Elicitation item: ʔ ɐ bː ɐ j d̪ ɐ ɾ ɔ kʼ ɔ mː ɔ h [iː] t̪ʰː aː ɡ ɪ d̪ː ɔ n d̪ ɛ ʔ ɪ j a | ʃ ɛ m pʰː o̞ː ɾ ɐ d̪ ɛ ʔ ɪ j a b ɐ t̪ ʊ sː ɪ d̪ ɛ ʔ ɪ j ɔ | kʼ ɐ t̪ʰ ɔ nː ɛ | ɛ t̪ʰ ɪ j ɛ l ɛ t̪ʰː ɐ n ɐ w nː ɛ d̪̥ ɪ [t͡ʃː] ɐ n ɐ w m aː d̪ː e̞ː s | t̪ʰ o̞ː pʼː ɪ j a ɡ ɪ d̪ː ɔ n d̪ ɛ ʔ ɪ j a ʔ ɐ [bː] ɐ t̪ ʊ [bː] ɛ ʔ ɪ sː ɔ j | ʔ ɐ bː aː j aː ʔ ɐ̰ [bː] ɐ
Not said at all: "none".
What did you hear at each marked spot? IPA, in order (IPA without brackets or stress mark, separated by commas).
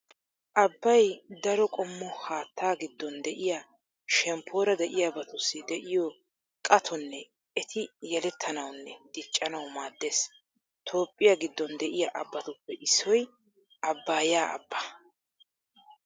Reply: aː, t͡ʃʼː, bː, pː, bː